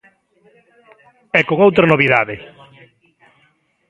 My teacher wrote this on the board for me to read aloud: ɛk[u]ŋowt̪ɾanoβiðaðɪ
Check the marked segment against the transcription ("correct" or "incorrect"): incorrect